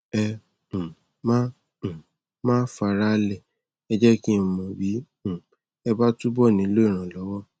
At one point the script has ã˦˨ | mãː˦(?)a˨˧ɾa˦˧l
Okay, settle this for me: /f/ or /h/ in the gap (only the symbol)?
f